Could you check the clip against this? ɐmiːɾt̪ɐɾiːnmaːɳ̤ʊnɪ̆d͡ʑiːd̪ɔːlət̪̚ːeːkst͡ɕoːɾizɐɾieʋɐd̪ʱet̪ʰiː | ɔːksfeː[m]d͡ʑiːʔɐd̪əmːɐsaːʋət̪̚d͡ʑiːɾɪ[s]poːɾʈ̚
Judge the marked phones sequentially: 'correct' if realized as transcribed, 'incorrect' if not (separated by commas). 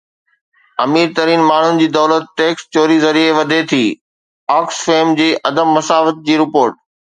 correct, incorrect